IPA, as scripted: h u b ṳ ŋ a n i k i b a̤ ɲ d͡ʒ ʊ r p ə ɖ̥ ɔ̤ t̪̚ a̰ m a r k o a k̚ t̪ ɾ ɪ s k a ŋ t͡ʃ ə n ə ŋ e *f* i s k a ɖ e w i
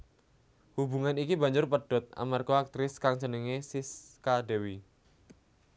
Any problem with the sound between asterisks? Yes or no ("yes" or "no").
yes